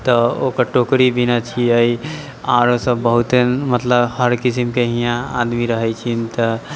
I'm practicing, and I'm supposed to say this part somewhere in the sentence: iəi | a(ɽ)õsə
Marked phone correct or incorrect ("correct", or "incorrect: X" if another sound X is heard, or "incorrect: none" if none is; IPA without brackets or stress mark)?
incorrect: ɾ